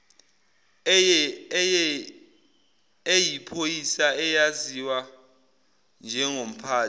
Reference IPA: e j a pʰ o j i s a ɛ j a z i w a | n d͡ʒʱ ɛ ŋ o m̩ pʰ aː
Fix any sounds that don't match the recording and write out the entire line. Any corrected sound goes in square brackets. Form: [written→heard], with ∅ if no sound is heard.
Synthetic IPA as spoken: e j [a→i] pʰ o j i s a ɛ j a z i w a | n d͡ʒʱ ɛ ŋ o m̩ pʰ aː